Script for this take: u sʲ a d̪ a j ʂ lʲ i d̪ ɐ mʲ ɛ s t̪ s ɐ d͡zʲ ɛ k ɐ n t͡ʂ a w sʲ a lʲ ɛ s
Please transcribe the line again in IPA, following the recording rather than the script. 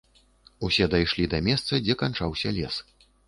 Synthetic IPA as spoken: u sʲ ɛ d̪ a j ʂ lʲ i d̪ ɐ mʲ ɛ s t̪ s ɐ d͡zʲ ɛ k a n t͡ʂ a w sʲ ɐ lʲ ɛ s